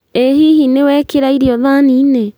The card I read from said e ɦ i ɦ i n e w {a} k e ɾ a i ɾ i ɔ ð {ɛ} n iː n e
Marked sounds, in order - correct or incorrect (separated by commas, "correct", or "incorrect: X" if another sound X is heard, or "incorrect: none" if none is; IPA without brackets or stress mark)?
incorrect: ɛ, incorrect: a